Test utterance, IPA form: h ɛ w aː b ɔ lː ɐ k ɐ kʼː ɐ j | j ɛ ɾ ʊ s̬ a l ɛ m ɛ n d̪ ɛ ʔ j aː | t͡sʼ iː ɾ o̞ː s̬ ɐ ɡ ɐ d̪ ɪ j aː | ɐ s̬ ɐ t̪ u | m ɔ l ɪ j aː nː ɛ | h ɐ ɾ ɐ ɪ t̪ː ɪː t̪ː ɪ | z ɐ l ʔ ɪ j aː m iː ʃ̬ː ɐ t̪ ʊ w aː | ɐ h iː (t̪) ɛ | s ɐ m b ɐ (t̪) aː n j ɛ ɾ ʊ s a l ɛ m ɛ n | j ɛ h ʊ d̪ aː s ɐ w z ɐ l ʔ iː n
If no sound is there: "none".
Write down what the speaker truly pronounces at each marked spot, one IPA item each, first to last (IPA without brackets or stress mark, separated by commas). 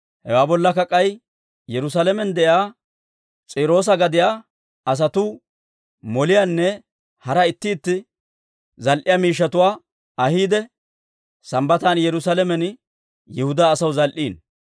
d̪, t̪